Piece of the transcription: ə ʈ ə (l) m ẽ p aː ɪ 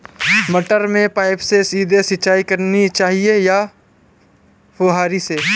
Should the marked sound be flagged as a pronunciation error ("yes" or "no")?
yes